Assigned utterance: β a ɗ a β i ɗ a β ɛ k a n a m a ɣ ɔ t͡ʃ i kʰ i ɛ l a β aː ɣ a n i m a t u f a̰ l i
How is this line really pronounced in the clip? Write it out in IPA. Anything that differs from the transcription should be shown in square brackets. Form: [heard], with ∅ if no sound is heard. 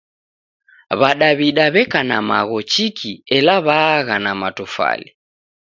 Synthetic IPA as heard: β a ɗ a β i ɗ a β ɛ k a n a m a ɣ ɔ t͡ʃ i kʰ i ɛ l a β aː ɣ a n [a] m a t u f a̰ l i

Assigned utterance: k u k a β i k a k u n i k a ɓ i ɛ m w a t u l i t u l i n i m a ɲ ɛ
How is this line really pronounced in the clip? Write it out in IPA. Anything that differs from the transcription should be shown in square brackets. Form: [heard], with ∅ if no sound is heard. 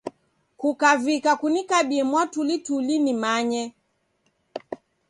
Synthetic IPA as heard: k u k a [v] i k a k u n i k a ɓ i ɛ m w a t u l i t u l i n i m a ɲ ɛ

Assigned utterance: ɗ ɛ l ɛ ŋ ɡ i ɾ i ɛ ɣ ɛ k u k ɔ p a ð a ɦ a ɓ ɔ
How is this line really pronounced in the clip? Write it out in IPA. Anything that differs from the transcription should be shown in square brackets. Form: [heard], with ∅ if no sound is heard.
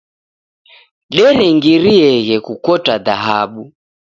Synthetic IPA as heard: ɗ ɛ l ɛ ŋ ɡ i ɾ i ɛ ɣ ɛ k u k ɔ [t] a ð a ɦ a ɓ [u]

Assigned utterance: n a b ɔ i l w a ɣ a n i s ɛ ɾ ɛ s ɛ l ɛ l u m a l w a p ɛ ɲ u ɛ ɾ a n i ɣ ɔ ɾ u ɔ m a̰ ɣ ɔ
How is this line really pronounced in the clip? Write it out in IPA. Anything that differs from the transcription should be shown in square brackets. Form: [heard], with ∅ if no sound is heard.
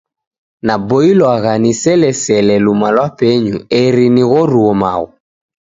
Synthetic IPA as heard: n a b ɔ i l w a ɣ a n i s ɛ [l] ɛ s ɛ l ɛ l u m a l w a p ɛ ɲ u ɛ ɾ [i] n i ɣ ɔ ɾ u ɔ m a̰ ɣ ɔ

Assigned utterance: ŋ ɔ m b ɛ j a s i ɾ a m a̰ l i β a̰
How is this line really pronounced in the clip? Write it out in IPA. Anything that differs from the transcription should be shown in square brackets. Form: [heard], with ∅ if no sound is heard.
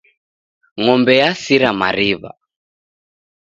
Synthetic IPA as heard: ŋ ɔ m b ɛ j a s i ɾ a m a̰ [ɾ] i β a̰

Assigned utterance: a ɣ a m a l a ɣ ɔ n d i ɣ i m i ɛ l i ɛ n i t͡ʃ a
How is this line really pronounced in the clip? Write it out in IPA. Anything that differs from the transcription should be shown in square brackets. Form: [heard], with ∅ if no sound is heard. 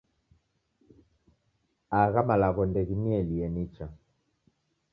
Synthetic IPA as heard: a ɣ a m a l a ɣ ɔ n d [ɛ] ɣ i m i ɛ l i ɛ n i t͡ʃ a

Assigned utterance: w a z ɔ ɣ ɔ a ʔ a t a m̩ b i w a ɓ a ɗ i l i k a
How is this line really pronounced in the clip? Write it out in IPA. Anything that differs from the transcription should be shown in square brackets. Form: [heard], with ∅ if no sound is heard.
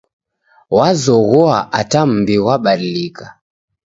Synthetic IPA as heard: w a z ɔ ɣ ɔ a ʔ a t a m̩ b i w a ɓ a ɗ i l i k a

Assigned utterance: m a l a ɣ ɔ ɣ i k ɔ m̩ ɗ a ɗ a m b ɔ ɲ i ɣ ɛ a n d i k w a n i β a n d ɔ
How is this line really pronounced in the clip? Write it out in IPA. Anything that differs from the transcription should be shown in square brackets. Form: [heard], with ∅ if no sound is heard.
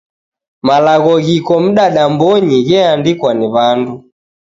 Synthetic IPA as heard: m a l a ɣ ɔ ɣ i k ɔ m̩ ɗ a ɗ a m b ɔ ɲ i ɣ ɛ a n d i k w a n i β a n d [u]

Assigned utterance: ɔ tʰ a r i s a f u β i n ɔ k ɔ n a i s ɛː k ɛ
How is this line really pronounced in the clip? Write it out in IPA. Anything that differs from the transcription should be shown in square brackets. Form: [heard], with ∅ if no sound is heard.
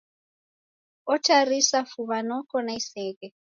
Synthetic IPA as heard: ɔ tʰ a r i s a f u β [a] n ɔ k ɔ n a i s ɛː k ɛ

